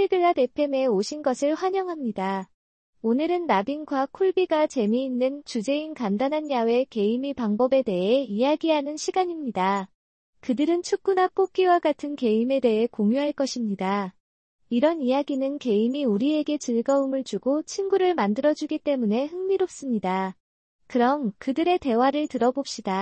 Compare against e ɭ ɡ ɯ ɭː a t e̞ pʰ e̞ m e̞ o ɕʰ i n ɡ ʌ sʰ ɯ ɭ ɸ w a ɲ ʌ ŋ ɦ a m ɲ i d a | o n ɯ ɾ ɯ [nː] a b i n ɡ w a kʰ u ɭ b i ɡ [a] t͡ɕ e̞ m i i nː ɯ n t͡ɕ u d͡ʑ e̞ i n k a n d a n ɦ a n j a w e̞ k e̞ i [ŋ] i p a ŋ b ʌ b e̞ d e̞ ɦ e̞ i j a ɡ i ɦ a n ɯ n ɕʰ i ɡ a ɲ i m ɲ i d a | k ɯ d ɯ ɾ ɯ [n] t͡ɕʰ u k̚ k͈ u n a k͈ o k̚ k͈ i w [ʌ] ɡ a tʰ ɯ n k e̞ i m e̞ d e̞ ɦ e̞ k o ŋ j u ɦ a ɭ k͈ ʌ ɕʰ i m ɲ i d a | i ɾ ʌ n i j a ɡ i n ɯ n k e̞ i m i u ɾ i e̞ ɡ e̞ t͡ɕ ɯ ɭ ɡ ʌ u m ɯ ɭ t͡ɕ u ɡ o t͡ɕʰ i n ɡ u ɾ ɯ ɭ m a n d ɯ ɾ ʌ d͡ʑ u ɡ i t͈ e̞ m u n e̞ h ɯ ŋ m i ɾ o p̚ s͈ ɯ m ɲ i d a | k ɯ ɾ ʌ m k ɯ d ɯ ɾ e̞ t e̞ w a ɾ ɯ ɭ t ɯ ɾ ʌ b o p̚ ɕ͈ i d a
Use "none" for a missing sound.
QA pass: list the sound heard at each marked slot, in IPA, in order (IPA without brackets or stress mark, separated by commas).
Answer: nː, a, m, n, a